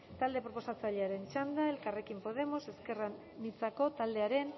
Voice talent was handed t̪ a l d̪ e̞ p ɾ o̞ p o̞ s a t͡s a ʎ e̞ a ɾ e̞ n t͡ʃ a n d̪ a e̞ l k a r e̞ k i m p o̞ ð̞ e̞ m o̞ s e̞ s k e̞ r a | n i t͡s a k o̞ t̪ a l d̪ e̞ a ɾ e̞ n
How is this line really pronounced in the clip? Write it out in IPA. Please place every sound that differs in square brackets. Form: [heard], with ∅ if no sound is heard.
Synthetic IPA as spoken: t̪ a l d̪ e̞ p ɾ o̞ p o̞ s a t͡s a ʎ e̞ a ɾ e̞ n t͡ʃ a n d̪ a e̞ l k a r e̞ k i m p o̞ ð̞ e̞ m o̞ s e̞ s k e̞ r a | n i t͡s a k o̞ t̪ a l d̪ e̞ a ɾ e̞ n